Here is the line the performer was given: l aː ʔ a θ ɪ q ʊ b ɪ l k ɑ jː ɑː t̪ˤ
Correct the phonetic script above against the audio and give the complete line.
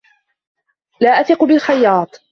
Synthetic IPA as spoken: l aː ʔ a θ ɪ q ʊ b ɪ l x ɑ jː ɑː t̪ˤ